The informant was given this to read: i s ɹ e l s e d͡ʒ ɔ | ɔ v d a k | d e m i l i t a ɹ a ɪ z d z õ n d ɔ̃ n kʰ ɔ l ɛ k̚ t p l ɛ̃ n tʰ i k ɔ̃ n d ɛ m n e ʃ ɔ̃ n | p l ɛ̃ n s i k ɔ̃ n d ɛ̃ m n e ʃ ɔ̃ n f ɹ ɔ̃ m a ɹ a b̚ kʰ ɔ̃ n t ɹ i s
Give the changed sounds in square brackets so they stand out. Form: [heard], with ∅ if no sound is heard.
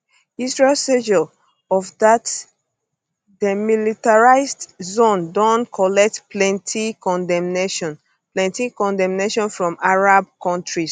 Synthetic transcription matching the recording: i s ɹ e l s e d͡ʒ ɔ | ɔ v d a [t] | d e m i l i t a ɹ a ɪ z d z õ n d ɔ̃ n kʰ ɔ l ɛ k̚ t p l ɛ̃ n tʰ i k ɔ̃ n d ɛ m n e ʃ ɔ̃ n | p l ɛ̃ n [t] i k ɔ̃ n d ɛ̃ m n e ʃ ɔ̃ n f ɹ ɔ̃ m a ɹ a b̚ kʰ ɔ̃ n t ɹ i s